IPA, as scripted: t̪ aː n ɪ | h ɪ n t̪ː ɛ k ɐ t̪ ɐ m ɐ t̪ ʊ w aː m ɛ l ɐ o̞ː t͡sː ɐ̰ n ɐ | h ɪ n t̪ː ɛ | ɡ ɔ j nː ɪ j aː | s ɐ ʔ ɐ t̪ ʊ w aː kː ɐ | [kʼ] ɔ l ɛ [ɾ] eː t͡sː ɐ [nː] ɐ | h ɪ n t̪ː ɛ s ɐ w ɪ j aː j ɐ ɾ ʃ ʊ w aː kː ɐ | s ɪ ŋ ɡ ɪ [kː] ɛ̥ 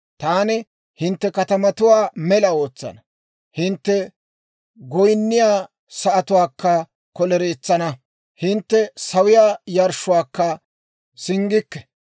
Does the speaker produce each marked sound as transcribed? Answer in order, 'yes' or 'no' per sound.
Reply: no, yes, no, yes

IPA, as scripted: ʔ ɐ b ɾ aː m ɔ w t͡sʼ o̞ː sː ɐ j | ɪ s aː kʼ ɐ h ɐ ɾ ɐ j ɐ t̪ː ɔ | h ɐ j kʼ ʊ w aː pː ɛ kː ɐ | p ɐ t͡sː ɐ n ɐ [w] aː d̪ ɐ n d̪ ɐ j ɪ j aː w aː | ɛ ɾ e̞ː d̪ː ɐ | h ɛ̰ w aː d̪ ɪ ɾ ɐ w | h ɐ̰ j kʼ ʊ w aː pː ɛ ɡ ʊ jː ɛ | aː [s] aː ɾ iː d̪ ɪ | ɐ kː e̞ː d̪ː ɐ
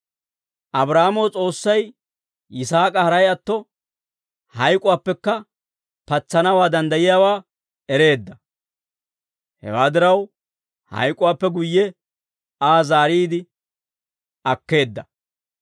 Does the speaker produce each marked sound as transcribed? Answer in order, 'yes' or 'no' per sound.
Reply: yes, no

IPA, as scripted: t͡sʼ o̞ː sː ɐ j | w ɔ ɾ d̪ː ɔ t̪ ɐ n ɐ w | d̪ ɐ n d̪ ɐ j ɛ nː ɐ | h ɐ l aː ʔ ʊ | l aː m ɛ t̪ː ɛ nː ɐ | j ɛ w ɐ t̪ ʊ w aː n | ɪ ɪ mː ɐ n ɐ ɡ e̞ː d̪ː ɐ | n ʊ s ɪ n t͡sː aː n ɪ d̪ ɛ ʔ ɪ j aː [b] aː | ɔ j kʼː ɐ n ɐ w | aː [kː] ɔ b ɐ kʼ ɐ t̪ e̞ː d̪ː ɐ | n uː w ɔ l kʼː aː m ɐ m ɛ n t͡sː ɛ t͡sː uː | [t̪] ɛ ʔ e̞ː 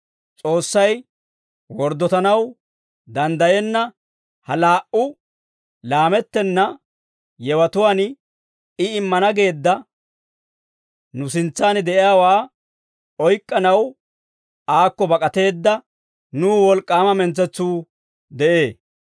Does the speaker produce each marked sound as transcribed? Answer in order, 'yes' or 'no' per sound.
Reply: no, yes, no

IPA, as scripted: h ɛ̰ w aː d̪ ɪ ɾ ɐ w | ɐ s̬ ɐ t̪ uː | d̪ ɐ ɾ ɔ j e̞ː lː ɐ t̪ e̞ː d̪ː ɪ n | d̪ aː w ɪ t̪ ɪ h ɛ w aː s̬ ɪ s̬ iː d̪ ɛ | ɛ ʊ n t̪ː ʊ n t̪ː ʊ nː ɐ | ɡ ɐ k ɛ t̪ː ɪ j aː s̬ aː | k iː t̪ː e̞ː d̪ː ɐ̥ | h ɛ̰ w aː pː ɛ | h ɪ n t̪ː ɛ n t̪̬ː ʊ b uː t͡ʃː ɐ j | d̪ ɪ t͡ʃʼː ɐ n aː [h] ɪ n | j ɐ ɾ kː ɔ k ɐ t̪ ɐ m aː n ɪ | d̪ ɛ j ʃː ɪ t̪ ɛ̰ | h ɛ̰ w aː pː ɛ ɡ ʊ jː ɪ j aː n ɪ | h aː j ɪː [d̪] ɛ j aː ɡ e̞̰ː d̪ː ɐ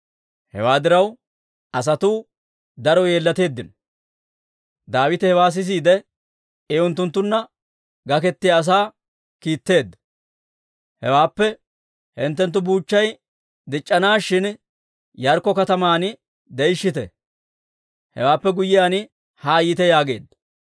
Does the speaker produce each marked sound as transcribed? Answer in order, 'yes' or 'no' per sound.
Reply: no, no

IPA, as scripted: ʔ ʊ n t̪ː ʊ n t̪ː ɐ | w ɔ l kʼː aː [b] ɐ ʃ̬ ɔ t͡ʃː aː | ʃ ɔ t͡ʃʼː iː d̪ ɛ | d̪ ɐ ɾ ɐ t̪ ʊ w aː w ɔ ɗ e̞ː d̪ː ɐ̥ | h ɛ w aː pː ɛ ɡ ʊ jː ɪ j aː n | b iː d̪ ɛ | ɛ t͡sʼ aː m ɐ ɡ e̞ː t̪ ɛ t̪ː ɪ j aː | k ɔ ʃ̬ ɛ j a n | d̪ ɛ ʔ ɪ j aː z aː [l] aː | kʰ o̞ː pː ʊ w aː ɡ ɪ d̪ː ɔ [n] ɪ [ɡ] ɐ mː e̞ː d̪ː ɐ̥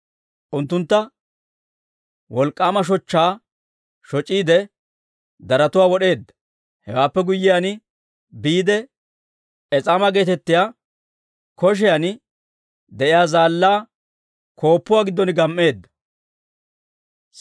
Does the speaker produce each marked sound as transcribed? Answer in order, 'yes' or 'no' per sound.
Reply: no, no, yes, yes

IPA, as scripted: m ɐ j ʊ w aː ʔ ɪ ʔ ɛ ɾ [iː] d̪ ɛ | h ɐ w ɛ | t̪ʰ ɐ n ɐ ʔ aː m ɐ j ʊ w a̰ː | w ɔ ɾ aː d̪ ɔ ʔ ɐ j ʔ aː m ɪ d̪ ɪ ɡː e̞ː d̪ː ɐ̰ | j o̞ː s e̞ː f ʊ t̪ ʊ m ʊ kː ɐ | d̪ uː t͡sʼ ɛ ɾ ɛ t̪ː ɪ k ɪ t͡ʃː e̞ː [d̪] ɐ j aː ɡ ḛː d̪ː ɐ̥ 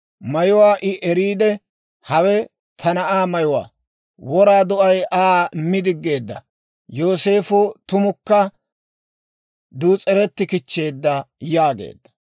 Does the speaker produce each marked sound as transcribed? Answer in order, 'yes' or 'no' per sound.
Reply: yes, no

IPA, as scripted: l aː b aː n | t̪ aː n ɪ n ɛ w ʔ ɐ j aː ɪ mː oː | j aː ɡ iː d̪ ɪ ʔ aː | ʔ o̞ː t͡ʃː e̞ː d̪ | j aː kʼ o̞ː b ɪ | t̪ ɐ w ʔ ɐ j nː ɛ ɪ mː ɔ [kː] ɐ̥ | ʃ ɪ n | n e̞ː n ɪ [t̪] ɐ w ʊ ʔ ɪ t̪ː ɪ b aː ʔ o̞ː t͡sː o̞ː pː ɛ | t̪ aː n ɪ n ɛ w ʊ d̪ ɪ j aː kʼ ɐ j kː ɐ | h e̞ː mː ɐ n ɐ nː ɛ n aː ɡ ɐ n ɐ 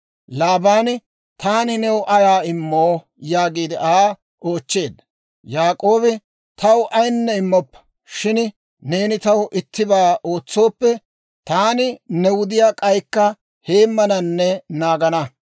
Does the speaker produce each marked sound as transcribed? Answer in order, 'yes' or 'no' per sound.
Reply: no, yes

